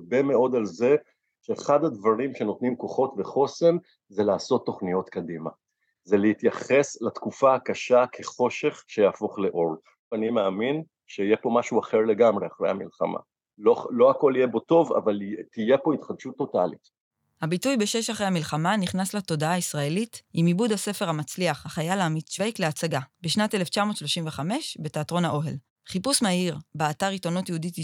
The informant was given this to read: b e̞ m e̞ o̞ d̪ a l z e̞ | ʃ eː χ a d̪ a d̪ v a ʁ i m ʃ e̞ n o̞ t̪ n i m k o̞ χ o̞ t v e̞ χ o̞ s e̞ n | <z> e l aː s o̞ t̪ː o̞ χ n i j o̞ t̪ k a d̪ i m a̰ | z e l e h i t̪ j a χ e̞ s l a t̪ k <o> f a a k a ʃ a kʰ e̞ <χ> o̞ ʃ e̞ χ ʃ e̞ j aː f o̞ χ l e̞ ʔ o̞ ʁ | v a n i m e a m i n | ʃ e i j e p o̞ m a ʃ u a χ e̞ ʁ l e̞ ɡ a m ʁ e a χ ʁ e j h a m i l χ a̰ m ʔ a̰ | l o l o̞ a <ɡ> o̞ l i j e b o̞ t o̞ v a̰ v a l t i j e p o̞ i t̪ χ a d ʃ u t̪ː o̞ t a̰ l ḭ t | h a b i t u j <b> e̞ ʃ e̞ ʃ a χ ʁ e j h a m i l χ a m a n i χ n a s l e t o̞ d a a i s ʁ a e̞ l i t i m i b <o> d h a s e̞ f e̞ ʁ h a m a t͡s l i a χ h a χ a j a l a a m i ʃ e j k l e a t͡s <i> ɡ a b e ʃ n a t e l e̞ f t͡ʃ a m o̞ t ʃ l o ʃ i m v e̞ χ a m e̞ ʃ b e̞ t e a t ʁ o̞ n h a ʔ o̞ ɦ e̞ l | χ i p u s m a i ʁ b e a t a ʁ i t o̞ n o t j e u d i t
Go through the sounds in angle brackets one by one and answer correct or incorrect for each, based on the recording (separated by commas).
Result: correct, incorrect, correct, incorrect, correct, incorrect, incorrect